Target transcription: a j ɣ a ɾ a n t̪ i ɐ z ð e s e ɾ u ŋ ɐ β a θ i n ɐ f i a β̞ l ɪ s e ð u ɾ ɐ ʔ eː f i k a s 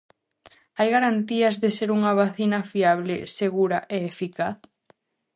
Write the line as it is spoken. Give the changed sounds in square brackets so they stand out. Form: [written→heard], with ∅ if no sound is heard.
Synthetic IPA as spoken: a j ɣ a ɾ a n t̪ i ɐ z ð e s e ɾ u ŋ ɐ β a θ i n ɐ f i a β̞ l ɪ s e [ð→ɣ] u ɾ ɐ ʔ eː f i k a [s→θ]